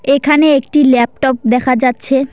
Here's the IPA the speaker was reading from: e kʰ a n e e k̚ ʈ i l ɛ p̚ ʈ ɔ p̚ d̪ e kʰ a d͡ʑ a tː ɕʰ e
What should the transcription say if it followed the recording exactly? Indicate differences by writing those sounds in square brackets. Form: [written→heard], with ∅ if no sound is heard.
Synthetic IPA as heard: e kʰ a n e e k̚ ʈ i l ɛ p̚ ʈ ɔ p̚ d̪ [e→ɛ] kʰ a d͡ʑ a tː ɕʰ e